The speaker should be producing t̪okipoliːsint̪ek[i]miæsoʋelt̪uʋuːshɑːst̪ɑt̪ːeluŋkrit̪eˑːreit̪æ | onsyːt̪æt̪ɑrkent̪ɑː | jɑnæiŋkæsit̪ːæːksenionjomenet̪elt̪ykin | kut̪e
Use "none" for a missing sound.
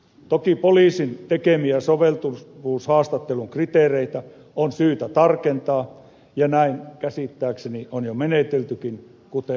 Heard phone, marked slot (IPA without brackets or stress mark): e